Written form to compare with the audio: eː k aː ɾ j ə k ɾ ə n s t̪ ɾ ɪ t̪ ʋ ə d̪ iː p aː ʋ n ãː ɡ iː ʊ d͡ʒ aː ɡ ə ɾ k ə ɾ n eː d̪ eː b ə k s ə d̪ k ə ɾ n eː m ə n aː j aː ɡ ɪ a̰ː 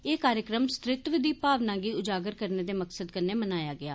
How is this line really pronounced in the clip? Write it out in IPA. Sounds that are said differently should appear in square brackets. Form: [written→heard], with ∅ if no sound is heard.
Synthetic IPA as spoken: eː k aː ɾ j ə k ɾ ə [n→m] s t̪ ɾ ɪ t̪ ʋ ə d̪ iː p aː ʋ n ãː ɡ iː ʊ d͡ʒ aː ɡ ə ɾ k ə ɾ n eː d̪ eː [b→m] ə k s ə d̪ k ə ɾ n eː m ə n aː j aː ɡ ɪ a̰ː